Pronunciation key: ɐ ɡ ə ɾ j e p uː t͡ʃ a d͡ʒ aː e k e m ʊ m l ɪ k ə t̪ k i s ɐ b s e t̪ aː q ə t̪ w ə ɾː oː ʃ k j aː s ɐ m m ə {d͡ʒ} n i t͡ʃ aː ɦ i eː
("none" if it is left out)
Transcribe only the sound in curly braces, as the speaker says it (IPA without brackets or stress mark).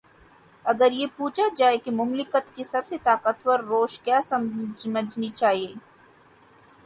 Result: d͡ʒ